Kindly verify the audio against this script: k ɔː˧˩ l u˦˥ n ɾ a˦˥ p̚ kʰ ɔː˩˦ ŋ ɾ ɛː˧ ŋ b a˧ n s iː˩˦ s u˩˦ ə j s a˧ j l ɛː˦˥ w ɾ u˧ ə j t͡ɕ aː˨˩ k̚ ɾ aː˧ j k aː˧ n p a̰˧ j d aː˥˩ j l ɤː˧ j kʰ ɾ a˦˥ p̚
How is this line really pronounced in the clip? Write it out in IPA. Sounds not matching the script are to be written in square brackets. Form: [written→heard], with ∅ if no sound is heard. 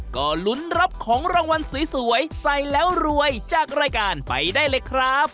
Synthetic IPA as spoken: k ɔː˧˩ l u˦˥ n ɾ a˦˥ p̚ kʰ ɔː˩˦ ŋ ɾ [ɛː˧→aː˧] ŋ [b→w] a˧ n s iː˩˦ s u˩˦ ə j s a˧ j l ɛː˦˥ w ɾ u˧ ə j t͡ɕ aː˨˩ k̚ ɾ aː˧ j k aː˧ n p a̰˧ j d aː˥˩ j l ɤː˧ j kʰ ɾ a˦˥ p̚